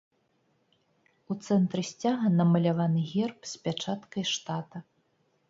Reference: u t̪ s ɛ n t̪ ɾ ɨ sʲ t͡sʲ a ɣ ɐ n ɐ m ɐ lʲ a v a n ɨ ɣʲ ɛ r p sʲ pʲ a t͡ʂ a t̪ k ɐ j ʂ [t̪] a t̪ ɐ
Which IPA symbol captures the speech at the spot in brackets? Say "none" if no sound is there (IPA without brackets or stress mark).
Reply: t̪